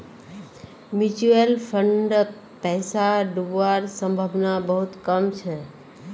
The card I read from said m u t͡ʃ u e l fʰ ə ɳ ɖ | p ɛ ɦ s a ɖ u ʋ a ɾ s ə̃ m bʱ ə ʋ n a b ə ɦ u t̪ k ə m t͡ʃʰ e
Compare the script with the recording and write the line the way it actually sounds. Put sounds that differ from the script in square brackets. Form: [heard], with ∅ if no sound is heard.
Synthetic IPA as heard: m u t͡ʃ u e l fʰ ə ɳ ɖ | p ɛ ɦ s a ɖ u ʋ a ɾ s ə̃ m bʱ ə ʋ n a b ə ɦ u t̪ k ə m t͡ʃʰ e